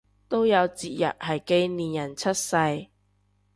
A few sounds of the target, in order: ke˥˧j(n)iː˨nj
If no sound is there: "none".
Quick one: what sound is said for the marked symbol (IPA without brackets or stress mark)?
n